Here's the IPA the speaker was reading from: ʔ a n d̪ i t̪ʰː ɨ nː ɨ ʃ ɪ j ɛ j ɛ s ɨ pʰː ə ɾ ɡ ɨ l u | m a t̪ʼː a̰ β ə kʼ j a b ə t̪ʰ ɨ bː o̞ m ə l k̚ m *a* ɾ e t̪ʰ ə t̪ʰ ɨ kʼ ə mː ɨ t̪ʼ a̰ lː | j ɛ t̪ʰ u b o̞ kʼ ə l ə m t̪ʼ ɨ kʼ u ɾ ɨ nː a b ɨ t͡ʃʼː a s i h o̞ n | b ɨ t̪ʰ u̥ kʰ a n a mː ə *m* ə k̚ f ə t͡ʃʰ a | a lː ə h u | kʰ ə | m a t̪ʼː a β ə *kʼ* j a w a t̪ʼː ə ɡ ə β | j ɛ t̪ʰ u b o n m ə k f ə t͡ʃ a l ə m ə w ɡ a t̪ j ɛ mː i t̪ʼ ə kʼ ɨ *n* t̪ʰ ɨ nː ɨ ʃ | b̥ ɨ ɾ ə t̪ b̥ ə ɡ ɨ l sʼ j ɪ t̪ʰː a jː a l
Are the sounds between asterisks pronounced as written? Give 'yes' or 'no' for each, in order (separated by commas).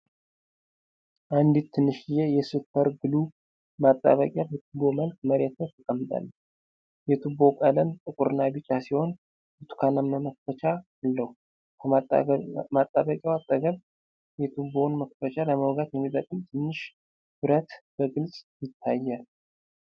no, yes, yes, no